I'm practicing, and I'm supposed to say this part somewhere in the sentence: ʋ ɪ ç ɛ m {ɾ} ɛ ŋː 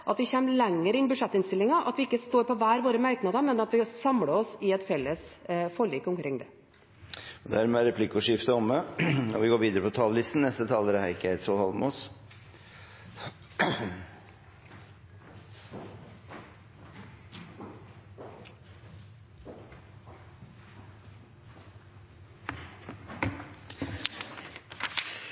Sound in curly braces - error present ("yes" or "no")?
yes